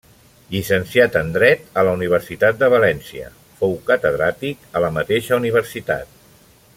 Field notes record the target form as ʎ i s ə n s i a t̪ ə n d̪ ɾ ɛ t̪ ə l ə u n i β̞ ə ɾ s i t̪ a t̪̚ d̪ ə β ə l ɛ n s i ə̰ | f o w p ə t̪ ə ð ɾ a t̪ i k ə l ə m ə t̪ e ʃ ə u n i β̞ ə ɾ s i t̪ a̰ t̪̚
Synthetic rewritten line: ʎ i s ə n s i a t̪ ə n d̪ ɾ ɛ t̪ ə l ə u n i β̞ ə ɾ s i t̪ a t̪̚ d̪ ə β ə l ɛ n s i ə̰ | f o w k ə t̪ ə ð ɾ a t̪ i k ə l ə m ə t̪ e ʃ ə u n i β̞ ə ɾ s i t̪ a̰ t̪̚